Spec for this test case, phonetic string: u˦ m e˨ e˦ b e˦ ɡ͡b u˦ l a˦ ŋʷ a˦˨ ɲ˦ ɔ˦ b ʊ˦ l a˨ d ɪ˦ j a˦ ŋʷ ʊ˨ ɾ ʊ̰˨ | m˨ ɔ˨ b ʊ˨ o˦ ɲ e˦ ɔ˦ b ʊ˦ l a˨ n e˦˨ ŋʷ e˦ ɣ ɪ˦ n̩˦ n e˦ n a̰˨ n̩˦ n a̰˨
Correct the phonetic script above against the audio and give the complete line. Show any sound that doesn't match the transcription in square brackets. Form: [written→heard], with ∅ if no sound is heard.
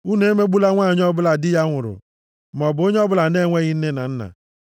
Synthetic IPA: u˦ [m→n] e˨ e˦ [b→m] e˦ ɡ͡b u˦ l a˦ ŋʷ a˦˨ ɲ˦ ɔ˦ b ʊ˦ l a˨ d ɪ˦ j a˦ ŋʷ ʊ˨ ɾ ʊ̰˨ | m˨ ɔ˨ b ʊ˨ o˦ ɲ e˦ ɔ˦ b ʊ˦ l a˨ n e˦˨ ŋʷ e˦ ɣ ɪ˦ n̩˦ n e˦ n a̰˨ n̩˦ n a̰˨

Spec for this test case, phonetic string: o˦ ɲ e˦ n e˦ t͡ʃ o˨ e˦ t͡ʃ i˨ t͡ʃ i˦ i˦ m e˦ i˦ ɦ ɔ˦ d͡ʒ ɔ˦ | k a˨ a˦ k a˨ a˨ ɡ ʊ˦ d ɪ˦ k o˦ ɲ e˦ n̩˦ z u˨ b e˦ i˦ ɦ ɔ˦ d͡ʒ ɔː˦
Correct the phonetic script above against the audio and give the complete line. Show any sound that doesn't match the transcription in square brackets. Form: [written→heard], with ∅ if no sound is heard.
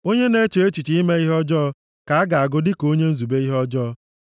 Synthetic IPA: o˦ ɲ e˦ n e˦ t͡ʃ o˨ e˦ t͡ʃ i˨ t͡ʃ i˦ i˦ m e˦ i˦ ɦ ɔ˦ d͡ʒ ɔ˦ | k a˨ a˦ [k→ɡ] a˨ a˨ ɡ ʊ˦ d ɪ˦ k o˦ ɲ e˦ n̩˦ z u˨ b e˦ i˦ ɦ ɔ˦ d͡ʒ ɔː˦

